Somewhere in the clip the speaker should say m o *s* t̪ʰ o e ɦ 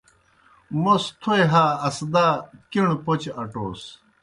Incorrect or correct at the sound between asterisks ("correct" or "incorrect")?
correct